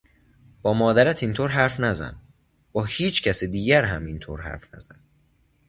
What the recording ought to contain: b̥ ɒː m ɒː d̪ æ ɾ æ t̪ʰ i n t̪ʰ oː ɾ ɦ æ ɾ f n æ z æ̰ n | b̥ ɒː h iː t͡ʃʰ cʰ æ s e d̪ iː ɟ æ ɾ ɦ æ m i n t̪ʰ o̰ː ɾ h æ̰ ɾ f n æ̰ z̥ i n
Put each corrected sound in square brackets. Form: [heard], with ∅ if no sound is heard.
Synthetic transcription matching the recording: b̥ ɒː m ɒː d̪ æ ɾ æ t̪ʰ i n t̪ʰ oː ɾ ɦ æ ɾ f n æ z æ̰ n | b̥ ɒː h iː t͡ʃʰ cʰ æ s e d̪ iː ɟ æ ɾ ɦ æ m i n t̪ʰ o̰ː ɾ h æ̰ ɾ f n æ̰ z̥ [æ] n